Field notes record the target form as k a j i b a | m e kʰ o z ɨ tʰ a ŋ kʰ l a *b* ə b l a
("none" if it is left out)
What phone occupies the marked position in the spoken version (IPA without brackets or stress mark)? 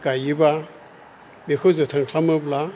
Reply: m